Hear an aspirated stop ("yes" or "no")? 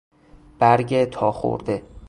yes